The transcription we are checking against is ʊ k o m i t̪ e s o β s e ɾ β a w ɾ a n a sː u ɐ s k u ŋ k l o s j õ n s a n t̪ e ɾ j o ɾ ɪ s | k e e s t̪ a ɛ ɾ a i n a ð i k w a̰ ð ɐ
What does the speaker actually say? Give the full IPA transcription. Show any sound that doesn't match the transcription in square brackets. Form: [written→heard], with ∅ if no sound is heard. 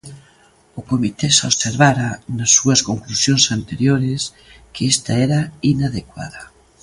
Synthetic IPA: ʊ k o m i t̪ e s o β s e ɾ β a [w→∅] ɾ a n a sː u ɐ s k [u→o] ŋ k l [o→u] s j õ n s a n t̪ e ɾ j o ɾ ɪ s | k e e s t̪ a ɛ ɾ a i n a ð [i→e] k w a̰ ð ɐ